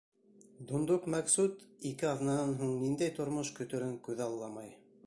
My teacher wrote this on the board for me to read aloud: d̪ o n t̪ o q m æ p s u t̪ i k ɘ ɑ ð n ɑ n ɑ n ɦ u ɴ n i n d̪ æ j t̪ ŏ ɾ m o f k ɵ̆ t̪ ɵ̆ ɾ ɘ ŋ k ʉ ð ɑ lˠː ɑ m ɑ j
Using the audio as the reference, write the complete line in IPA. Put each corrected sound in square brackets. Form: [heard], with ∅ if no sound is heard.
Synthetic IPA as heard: d̪ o n [d̪] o q m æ [k] s u t̪ i k ɘ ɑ ð n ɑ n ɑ n ɦ u ɴ n i n d̪ æ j t̪ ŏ ɾ m o [ʃ] k ɵ̆ t̪ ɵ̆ ɾ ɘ ŋ k ʉ ð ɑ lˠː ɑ m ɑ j